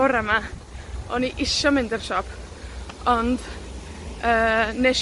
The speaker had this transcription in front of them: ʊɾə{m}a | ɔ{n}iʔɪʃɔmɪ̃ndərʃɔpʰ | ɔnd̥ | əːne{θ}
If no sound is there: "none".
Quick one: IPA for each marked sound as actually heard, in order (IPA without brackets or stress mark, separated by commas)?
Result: m, n, ʃ